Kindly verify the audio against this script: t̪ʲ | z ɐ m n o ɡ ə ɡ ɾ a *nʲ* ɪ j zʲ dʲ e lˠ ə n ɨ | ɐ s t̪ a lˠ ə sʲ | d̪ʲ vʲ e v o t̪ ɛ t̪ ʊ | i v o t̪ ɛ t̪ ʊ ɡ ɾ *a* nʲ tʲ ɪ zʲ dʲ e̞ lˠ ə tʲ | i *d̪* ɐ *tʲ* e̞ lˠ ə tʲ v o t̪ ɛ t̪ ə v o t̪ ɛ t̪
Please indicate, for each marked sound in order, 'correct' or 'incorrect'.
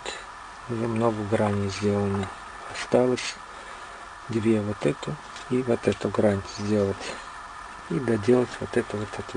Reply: correct, correct, correct, incorrect: dʲ

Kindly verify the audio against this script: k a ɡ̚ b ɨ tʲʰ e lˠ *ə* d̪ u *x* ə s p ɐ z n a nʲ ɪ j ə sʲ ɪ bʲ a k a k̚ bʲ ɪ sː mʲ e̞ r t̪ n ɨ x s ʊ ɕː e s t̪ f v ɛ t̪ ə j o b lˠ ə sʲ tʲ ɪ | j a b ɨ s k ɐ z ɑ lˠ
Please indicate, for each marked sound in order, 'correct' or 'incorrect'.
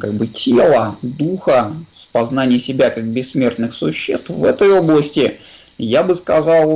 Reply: correct, correct

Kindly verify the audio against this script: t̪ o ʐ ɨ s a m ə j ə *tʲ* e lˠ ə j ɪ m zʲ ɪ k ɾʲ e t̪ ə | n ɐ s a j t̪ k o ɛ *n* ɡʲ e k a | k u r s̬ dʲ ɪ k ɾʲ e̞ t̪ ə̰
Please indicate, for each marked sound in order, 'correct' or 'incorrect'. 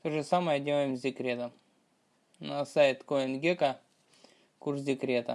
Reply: incorrect: dʲ, correct

